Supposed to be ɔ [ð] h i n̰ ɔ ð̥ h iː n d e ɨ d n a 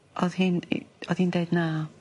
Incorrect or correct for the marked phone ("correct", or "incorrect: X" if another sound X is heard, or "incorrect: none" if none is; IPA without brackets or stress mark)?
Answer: correct